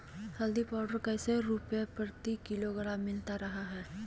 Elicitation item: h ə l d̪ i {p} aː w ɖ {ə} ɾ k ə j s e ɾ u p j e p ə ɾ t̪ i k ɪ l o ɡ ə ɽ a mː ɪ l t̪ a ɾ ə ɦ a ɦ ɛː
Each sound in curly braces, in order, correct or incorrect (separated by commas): correct, correct